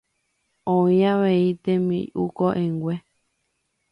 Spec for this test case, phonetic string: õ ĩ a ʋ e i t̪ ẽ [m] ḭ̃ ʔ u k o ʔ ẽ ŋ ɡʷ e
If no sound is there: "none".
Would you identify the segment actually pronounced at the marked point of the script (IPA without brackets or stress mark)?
m